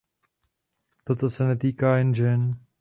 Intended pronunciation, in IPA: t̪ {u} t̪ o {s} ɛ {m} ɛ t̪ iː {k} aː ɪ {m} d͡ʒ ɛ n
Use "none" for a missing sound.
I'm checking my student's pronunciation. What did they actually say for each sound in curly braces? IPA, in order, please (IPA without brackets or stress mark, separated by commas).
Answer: o, s, n, k, n